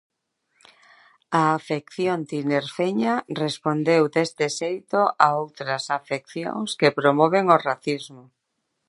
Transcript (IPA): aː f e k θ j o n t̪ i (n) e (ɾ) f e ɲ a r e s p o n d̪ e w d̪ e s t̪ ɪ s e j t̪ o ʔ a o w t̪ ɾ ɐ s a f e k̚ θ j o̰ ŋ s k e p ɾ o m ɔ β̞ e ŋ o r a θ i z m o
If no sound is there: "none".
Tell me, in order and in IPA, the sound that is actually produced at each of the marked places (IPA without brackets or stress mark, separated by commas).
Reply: n, ɾ